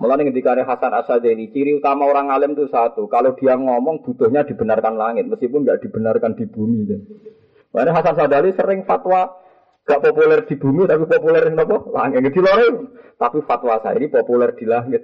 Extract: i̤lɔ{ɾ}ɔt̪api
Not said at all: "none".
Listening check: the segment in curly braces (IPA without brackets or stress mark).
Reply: ɾ